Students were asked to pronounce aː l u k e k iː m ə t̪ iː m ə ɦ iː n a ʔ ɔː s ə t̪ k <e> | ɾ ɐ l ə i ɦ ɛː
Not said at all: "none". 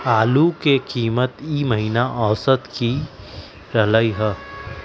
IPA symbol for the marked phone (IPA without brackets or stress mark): i